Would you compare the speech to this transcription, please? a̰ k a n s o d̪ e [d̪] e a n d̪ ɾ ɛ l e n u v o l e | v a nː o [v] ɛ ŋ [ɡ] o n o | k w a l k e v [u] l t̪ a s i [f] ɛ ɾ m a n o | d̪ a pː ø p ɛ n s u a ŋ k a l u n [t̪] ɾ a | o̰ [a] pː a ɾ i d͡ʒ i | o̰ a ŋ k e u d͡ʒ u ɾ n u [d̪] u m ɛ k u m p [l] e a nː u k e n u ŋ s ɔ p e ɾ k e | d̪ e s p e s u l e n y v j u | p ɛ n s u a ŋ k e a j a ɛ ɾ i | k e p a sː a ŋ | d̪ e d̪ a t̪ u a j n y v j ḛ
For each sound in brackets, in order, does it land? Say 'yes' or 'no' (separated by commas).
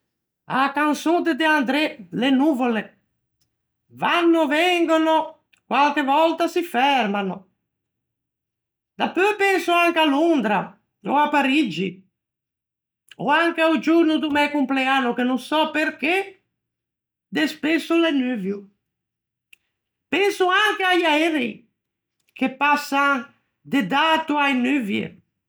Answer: yes, yes, yes, no, yes, no, yes, yes, yes